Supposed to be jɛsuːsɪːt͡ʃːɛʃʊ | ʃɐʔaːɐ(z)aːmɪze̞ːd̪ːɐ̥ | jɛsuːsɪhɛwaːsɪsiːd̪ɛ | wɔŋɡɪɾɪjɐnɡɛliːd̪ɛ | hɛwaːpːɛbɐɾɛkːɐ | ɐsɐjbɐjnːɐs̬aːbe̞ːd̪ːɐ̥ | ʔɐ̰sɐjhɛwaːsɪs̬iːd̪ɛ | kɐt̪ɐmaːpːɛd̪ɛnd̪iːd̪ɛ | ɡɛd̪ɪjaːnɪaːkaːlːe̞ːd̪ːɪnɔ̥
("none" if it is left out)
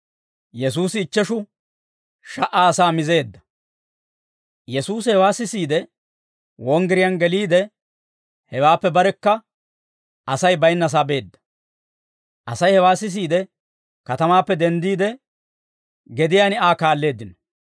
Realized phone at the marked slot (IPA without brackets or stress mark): s